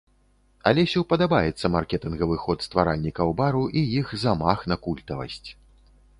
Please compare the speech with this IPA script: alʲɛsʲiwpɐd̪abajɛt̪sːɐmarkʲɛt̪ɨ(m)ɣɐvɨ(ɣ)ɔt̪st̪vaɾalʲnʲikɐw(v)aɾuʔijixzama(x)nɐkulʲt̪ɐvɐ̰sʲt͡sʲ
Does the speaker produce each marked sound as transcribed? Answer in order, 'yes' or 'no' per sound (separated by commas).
no, no, no, yes